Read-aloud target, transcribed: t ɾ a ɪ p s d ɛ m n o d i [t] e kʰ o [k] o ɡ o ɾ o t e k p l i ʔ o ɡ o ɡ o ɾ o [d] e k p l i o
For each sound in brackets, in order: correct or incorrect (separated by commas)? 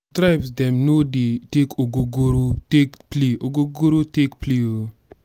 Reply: correct, incorrect, incorrect